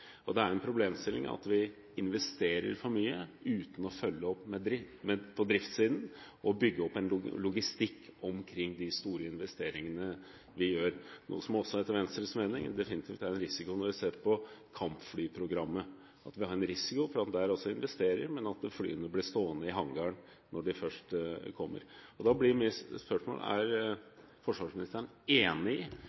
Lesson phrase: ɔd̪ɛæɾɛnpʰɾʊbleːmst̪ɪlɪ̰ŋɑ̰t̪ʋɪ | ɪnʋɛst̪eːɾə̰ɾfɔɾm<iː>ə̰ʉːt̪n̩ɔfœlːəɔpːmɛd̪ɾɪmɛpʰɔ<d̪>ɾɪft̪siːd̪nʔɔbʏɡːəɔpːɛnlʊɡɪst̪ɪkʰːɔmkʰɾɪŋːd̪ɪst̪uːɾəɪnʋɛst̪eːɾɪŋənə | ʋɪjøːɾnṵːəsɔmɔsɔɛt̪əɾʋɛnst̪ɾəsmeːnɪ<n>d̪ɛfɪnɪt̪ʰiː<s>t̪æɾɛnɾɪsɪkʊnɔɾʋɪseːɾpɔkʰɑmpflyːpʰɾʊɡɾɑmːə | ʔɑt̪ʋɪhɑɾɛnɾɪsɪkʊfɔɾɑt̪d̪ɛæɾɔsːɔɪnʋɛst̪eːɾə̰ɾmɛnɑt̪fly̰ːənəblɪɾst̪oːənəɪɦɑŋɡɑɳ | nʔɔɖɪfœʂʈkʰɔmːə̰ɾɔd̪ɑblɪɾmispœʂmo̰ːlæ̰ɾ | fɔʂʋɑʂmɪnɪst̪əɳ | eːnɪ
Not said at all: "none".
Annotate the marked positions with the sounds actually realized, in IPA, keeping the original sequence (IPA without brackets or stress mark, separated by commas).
yː, d̪, ŋ, f